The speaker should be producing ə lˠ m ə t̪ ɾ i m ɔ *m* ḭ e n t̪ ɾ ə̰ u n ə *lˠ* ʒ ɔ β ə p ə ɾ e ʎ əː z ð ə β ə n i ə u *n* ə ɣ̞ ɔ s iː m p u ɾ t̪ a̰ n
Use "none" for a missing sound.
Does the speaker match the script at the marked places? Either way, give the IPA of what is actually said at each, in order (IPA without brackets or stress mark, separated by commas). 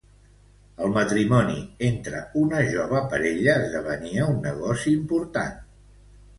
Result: n, none, nː